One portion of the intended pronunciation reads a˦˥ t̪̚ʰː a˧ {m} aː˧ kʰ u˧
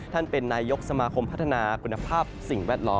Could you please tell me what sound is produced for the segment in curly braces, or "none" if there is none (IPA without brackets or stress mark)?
n